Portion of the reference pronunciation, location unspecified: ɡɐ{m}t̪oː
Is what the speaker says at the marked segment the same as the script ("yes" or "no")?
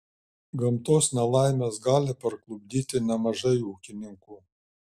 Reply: yes